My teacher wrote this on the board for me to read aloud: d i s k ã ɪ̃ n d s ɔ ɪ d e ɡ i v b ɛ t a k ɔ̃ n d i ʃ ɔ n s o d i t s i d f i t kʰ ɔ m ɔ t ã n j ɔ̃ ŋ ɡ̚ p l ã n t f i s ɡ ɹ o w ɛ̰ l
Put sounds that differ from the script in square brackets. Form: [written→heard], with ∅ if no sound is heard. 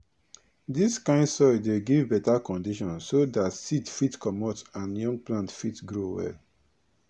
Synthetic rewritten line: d i s k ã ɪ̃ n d s ɔ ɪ d e ɡ i v b ɛ t a k ɔ̃ n d i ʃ [ɔ→ɔ̃] n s o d [i→a] t s i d f i t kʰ ɔ m ɔ t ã n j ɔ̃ ŋ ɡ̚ p l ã n t f i [s→t] ɡ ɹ o w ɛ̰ l